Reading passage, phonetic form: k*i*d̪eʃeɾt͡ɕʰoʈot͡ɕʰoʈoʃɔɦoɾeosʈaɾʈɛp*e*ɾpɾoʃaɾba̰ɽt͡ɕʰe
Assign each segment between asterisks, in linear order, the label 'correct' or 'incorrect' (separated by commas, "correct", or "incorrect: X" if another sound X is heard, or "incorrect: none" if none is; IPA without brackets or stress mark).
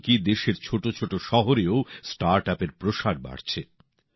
correct, correct